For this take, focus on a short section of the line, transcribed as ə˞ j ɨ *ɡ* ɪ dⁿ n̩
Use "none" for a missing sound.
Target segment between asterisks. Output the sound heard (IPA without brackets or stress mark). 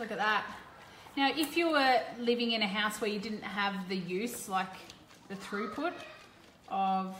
d